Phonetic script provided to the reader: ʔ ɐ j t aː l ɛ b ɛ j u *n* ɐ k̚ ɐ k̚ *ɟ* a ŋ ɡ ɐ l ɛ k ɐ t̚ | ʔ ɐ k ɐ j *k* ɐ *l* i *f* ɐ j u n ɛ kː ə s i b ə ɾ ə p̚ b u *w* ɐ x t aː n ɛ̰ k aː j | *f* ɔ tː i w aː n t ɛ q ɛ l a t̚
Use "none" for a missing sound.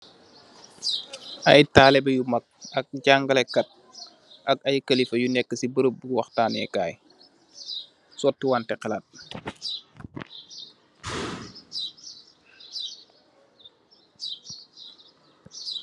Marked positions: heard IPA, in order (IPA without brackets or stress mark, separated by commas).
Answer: m, ɟ, k, l, f, w, s